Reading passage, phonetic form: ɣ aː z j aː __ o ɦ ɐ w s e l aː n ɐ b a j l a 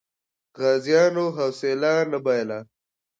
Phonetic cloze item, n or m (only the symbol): n